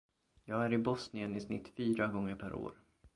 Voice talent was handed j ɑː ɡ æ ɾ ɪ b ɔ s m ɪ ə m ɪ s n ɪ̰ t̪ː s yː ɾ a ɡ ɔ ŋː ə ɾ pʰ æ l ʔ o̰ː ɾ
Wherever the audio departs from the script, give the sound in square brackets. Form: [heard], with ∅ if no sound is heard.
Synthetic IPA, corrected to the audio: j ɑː ɡ æ ɾ ɪ b ɔ s [n] ɪ ə [n] ɪ s n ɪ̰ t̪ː [f] yː ɾ a ɡ ɔ ŋː ə ɾ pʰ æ [ɾ] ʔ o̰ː ɾ